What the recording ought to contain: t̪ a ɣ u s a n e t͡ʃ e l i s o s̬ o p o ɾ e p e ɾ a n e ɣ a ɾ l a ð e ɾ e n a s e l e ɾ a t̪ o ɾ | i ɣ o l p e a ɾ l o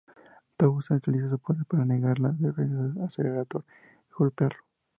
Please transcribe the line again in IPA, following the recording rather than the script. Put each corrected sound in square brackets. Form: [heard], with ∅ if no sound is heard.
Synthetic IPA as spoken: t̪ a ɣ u s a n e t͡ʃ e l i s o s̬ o p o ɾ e p [a] ɾ a n e ɣ a ɾ l a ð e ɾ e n a s e l e ɾ a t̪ o ɾ | i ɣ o l p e a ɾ l o